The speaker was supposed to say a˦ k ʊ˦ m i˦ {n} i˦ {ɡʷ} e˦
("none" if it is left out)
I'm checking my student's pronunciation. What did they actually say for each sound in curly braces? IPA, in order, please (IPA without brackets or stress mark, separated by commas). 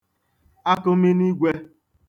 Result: n, ɡʷ